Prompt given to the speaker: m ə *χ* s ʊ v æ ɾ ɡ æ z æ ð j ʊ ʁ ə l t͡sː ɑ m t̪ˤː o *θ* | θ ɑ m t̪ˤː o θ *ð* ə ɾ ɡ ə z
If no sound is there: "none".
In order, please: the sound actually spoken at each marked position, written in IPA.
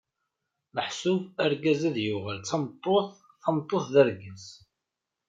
ħ, θ, ð

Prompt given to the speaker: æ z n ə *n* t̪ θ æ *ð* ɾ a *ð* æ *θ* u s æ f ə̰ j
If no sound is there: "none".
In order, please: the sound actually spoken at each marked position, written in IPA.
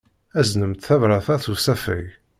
m, v, θ, θ

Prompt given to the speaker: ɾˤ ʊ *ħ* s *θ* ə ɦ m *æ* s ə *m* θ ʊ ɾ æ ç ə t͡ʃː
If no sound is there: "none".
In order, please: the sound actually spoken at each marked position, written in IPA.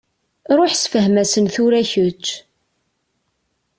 ħ, f, æ, n

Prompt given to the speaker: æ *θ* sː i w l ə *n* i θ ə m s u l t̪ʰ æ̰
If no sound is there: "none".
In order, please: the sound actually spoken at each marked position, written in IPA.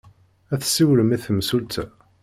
θ, m

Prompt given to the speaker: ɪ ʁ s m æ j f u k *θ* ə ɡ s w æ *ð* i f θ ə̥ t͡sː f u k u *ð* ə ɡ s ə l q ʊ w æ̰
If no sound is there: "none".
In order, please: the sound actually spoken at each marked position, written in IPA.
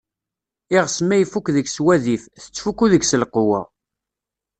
ð, ð, ð

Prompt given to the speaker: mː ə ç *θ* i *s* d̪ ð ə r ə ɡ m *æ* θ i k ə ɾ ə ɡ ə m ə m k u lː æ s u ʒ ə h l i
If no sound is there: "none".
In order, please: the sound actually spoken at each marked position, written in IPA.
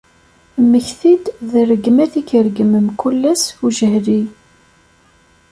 θ, none, æ

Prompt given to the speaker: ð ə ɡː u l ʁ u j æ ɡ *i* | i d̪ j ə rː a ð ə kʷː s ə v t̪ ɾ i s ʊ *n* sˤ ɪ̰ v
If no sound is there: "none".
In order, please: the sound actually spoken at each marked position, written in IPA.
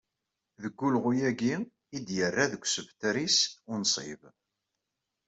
i, n

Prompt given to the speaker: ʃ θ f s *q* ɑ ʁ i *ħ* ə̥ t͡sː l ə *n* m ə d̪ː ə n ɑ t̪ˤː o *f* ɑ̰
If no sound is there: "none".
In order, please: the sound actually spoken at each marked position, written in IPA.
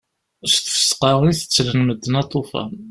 q, θ, n, f

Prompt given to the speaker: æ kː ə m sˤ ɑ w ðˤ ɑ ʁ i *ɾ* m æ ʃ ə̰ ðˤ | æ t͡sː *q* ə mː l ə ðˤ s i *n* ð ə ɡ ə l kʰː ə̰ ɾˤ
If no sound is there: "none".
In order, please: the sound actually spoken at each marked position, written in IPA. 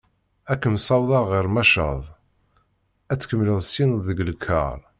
ɾ, k, n

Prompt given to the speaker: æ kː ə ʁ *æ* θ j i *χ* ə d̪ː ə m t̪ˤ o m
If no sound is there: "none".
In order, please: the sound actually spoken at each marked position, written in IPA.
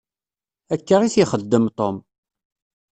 i, χ

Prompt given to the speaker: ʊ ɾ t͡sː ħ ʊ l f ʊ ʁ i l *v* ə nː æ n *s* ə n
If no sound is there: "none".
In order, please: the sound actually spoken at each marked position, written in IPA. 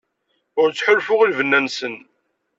v, s

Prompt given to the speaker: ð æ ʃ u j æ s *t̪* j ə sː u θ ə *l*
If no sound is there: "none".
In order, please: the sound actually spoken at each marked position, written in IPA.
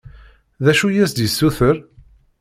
d̪, ɾ

